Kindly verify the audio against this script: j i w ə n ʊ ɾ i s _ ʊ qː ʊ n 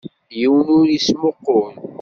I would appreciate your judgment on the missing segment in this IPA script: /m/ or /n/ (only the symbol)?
m